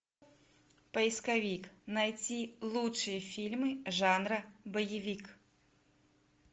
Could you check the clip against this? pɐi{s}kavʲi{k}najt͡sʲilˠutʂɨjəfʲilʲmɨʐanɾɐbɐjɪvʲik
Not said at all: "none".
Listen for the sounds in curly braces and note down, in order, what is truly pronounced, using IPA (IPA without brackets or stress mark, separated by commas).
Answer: s, k